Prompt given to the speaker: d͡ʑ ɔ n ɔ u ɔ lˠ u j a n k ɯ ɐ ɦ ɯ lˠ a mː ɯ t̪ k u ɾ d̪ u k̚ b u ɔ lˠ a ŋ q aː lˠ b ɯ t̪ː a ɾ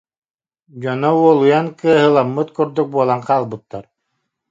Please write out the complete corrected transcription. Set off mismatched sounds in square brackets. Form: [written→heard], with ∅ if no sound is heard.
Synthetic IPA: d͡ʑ ɔ n ɔ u ɔ lˠ u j a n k ɯ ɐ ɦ ɯ lˠ a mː ɯ t̪ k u ɾ d̪ u k̚ b u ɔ lˠ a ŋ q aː lˠ b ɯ t̪ː a ɾ